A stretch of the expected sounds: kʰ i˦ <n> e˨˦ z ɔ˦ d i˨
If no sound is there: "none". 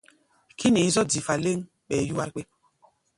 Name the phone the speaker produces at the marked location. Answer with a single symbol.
n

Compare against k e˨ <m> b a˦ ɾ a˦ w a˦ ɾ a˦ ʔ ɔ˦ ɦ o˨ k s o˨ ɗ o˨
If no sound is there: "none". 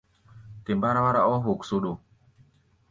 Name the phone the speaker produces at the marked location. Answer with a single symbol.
m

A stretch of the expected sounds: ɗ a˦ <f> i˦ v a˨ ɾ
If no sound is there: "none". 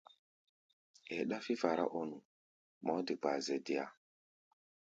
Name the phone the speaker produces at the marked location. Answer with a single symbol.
f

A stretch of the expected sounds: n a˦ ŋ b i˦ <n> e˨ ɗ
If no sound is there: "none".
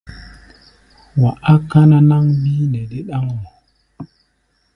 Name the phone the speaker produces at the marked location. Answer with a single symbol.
n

